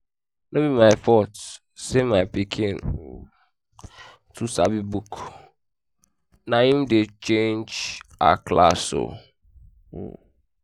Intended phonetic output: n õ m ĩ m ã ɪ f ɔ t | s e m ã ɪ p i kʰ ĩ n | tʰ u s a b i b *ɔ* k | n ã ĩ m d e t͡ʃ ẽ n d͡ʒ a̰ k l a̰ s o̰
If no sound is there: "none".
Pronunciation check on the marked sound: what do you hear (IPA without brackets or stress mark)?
u